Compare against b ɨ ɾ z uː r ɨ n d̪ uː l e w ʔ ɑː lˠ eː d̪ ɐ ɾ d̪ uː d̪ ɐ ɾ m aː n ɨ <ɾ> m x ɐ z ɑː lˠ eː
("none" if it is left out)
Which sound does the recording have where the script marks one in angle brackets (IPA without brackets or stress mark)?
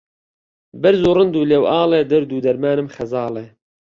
none